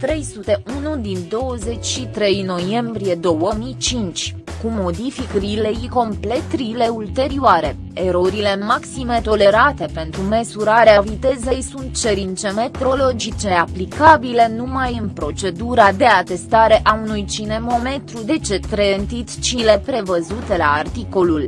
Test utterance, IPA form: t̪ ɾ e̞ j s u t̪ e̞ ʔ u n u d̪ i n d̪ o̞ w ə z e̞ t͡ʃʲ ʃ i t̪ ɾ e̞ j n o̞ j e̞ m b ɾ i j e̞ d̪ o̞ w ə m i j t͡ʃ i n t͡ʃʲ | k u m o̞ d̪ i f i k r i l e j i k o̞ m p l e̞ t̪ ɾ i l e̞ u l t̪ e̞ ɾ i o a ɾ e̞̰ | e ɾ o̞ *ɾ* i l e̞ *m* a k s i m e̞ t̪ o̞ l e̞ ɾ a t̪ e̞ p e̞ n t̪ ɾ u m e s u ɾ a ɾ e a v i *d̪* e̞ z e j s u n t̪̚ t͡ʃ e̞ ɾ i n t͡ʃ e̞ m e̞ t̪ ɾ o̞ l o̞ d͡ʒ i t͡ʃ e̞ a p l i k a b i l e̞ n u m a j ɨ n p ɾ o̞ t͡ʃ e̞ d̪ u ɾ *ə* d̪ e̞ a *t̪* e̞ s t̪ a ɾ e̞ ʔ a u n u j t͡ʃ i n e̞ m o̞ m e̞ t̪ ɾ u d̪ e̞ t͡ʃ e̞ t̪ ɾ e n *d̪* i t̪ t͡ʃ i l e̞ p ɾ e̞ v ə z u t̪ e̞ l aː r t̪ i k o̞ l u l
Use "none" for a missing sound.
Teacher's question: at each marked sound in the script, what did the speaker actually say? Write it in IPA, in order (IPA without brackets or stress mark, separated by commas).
ɾ, m, t̪, a, t̪, t̪